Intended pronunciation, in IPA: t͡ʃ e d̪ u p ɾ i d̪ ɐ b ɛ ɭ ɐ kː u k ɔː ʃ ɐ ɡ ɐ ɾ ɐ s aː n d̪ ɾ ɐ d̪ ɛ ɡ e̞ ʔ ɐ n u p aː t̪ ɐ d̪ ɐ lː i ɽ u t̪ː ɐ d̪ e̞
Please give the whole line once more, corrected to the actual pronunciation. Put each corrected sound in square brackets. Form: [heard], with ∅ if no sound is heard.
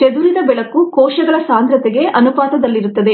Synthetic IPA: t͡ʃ e d̪ u [∅] ɾ i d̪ ɐ b ɛ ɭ ɐ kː u k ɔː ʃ ɐ ɡ ɐ [ɭ] ɐ s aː n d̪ ɾ ɐ [t̪] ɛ ɡ e̞ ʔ ɐ n u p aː t̪ ɐ d̪ ɐ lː i [ɾ] u t̪ː ɐ d̪ e̞

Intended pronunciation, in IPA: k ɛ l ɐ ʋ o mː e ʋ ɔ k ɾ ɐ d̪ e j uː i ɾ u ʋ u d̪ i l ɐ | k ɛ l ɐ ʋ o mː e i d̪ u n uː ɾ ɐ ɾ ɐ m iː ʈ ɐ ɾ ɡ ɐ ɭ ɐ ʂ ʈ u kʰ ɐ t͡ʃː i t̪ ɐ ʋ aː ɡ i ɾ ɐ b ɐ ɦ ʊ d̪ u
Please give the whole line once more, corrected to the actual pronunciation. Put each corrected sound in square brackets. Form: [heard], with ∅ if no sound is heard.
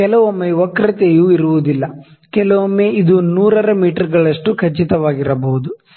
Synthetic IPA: k ɛ l ɐ ʋ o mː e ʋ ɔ k ɾ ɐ [t̪] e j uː i ɾ u ʋ u d̪ i [lː] ɐ | k ɛ l ɐ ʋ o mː e i d̪ u n uː ɾ ɐ ɾ ɐ m iː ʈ ɐ ɾ ɡ ɐ ɭ ɐ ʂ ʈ u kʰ ɐ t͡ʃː i t̪ ɐ ʋ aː ɡ i ɾ ɐ b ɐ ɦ [u] d̪ u

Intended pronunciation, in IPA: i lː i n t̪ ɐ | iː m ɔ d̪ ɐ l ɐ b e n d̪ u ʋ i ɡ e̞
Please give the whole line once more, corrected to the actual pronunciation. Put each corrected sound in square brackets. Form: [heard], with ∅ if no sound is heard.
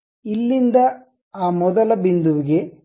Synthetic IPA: i lː i n [d̪] ɐ | [aː] m ɔ d̪ ɐ l ɐ b [i] n d̪ u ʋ i ɡ e̞

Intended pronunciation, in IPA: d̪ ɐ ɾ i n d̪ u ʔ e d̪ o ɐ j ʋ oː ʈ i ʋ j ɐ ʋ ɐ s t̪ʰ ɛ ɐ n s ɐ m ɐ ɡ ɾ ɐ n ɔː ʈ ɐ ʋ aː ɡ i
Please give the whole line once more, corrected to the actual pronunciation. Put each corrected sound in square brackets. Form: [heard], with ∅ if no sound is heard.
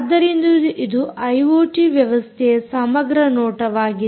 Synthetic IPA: [d̪ː] ɐ ɾ i n d̪ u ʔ [i] d̪ [u] ɐ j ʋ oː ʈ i ʋ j ɐ ʋ ɐ s t̪ʰ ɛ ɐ [∅] s ɐ m ɐ ɡ ɾ ɐ n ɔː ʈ ɐ ʋ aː ɡ i

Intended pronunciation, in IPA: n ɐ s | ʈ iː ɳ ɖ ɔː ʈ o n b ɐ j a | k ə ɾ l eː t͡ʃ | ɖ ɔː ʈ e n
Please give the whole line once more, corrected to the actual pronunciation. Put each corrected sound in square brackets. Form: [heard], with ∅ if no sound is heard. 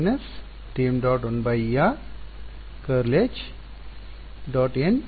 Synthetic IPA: n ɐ s | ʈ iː [m] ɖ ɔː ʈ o n b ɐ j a | k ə ɾ l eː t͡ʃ | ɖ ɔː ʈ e n

